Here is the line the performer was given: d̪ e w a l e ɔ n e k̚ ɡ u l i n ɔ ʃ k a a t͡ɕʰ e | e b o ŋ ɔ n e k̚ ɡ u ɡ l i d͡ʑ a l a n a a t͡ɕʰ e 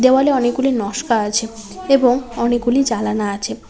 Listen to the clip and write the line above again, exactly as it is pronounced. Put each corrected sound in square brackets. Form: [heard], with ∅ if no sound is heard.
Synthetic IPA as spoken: d̪ e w a l e ɔ n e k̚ ɡ u l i n ɔ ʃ k a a t͡ɕʰ e | e b o ŋ ɔ n e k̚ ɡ u [∅] l i d͡ʑ a l a n a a t͡ɕʰ e